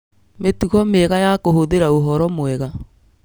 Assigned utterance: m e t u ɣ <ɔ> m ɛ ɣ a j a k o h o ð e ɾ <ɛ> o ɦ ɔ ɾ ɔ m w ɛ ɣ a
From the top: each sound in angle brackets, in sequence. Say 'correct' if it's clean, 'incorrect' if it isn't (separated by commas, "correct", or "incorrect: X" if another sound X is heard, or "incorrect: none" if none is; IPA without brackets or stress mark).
correct, incorrect: a